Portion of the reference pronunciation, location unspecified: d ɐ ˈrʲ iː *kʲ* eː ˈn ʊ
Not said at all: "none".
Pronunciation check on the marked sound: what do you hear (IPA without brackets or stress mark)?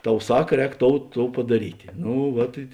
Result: tʲ